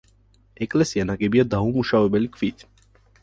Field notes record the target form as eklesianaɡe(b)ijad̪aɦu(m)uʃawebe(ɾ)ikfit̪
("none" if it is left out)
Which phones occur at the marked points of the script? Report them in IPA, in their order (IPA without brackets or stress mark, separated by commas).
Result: b, m, l